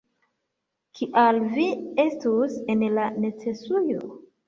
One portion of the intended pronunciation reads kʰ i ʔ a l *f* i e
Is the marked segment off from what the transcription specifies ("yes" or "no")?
yes